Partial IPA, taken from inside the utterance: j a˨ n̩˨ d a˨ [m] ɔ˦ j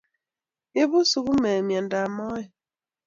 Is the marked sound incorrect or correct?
correct